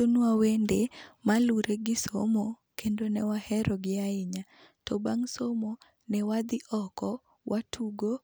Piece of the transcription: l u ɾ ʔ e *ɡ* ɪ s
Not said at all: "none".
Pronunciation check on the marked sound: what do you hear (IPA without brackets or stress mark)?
ɡ